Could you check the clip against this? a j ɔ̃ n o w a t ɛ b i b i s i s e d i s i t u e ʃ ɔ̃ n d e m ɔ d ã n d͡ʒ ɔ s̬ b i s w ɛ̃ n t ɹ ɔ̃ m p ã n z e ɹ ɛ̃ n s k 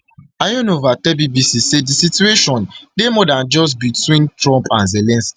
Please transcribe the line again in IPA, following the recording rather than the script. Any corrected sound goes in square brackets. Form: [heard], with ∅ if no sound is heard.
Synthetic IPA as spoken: a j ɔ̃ n o [v] a t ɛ b i b i s i s e d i s i t u e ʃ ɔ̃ n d e m ɔ d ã n d͡ʒ ɔ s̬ b i [t] w [ĩ] n t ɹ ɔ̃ m p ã n z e [l] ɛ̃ n s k